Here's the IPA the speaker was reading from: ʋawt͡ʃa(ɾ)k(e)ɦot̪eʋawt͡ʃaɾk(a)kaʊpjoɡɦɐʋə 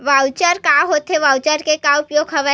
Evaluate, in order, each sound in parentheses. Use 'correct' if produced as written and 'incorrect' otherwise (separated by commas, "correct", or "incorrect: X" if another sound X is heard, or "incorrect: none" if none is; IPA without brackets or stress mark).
correct, incorrect: a, incorrect: e